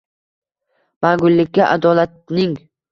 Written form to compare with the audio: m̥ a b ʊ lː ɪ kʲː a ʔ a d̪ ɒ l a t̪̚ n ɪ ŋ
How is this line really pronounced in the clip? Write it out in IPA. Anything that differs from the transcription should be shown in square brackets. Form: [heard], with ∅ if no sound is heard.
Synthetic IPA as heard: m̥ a [ɡ] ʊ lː ɪ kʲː a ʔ a d̪ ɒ l a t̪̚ n ɪ ŋ